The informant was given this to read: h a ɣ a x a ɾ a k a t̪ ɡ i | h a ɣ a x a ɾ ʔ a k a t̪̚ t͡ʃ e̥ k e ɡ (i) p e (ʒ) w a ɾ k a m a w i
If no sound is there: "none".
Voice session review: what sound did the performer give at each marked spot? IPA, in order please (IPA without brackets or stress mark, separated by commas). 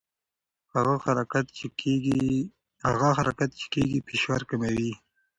i, ʃ